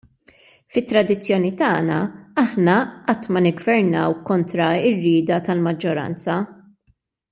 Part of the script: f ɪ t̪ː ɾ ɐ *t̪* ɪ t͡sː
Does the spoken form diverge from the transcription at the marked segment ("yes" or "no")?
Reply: yes